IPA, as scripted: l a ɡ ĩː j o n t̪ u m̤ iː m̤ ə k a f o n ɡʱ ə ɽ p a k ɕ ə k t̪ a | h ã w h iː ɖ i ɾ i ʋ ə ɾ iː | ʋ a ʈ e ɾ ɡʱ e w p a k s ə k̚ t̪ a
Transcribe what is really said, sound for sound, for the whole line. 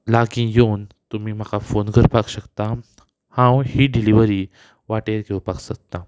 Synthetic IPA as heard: l a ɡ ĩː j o n t̪ u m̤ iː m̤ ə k a f o n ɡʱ ə ɾ p a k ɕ ə k t̪ a | h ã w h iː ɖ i l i ʋ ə ɾ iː | ʋ a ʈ e ɾ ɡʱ e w p a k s ə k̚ t̪ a